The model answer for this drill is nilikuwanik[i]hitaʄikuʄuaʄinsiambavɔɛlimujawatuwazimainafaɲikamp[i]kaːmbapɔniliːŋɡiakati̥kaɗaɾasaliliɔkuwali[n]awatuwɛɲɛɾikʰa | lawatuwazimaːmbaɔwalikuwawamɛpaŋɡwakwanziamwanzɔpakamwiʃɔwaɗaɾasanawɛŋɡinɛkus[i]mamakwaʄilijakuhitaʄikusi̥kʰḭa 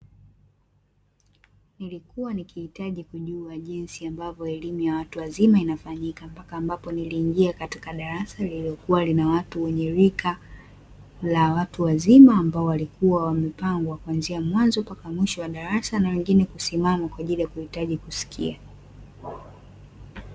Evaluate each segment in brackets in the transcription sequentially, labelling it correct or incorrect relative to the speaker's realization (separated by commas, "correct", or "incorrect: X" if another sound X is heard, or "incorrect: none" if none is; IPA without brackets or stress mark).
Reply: correct, incorrect: a, correct, correct